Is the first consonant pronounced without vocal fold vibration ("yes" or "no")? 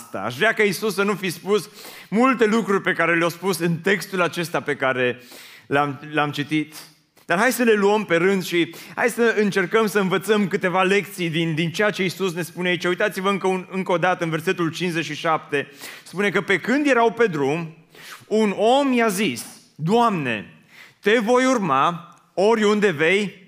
yes